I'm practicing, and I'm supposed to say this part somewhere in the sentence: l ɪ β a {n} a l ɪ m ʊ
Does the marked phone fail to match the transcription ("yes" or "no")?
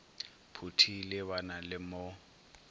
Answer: no